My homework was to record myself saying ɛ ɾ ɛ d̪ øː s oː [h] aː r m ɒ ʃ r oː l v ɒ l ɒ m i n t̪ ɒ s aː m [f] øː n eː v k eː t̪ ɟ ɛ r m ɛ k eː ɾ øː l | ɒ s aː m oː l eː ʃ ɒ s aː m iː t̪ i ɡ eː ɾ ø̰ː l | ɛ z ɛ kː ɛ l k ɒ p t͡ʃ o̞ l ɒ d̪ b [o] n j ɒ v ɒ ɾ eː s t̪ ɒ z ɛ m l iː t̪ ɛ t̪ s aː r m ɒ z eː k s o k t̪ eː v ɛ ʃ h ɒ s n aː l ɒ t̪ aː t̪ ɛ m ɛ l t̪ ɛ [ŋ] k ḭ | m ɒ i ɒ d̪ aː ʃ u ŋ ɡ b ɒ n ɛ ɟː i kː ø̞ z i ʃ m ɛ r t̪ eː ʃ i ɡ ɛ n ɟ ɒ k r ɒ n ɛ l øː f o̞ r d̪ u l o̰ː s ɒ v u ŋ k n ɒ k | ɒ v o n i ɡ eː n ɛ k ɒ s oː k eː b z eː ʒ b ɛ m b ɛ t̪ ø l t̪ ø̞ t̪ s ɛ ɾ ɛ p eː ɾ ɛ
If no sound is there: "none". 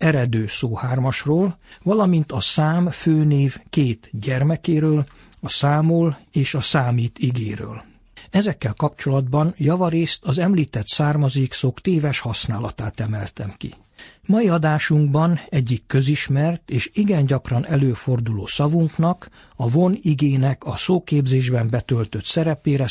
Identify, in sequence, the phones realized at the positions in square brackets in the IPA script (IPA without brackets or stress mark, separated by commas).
h, f, ɒ, m